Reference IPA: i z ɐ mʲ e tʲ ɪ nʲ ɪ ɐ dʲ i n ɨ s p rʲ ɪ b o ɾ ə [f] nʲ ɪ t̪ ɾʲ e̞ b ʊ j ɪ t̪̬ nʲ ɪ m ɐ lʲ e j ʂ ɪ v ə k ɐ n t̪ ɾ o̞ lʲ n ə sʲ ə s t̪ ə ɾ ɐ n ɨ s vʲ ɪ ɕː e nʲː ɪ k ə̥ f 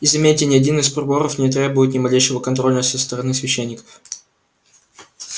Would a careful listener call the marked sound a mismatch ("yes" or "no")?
no